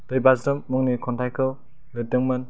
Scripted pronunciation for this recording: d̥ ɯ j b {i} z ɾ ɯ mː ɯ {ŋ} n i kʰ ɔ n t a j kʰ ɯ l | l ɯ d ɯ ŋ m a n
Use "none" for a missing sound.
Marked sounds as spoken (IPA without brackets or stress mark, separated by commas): a, ŋ